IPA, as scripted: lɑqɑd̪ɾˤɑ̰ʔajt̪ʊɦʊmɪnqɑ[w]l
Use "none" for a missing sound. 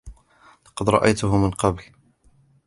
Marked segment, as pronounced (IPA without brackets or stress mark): b